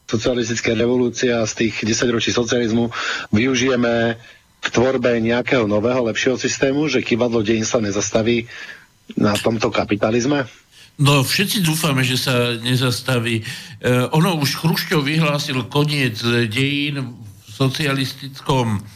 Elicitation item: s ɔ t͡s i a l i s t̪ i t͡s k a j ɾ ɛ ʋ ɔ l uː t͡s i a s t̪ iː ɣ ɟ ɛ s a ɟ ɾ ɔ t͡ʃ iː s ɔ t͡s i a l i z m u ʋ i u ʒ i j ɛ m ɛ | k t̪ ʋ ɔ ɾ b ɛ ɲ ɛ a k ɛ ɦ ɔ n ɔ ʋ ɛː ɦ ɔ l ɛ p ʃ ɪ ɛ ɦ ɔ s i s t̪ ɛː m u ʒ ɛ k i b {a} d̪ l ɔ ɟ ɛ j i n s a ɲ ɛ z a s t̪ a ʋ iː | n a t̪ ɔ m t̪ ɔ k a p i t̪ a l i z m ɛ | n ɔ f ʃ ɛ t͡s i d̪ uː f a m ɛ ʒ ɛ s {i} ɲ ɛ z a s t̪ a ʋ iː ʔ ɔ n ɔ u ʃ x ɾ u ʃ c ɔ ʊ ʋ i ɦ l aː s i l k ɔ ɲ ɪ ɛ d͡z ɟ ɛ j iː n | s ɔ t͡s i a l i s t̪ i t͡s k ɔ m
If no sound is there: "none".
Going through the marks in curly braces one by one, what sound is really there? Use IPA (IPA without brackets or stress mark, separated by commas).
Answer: a, a